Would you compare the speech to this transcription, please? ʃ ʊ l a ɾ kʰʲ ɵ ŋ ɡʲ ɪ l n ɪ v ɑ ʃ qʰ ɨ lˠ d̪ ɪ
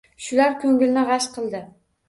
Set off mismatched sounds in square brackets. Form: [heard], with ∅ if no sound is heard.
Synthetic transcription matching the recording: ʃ ʊ l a ɾ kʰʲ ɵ ŋ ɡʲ ɪ l n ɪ [ʁ] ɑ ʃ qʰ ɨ lˠ d̪ ɪ